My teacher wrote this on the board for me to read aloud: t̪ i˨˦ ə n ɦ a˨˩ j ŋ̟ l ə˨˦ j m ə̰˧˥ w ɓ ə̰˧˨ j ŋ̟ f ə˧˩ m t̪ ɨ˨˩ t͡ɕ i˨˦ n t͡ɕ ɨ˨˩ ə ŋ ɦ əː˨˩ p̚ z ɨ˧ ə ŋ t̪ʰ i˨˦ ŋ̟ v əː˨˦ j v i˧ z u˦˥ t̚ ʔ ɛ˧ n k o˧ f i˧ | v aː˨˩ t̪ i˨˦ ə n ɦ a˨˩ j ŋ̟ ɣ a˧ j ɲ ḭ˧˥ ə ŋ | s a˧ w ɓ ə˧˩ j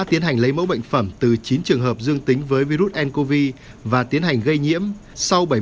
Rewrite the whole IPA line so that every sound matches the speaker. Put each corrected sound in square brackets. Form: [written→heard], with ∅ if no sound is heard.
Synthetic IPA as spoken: t̪ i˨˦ ə n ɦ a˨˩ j ŋ̟ l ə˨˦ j m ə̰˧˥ w ɓ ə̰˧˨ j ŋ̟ f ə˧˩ m t̪ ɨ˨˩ t͡ɕ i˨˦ n t͡ɕ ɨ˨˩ ə ŋ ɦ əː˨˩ p̚ z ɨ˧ ə ŋ [t̪ʰ→t̪] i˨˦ ŋ̟ v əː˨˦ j v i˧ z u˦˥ t̚ ʔ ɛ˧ n k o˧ [f→v] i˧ | v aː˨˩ t̪ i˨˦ ə n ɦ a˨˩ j ŋ̟ ɣ [a˧→ə˧] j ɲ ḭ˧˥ ə [ŋ→m] | s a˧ w ɓ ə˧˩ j